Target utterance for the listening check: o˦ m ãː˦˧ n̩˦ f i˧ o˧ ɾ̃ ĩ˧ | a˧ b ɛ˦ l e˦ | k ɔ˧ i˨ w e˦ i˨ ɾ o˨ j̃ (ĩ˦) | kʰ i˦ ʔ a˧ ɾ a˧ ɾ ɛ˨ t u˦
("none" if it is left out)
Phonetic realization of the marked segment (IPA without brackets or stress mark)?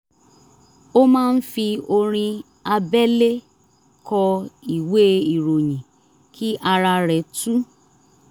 ĩ˨